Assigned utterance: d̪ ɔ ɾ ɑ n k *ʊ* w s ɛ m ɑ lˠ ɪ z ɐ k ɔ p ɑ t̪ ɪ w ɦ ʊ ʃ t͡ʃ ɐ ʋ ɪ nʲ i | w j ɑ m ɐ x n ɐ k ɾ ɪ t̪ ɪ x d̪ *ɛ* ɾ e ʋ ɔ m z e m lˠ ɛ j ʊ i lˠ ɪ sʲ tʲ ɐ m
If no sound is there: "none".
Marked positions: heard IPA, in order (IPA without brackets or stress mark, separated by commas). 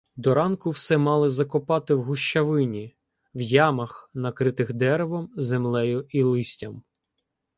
ʊ, ɛ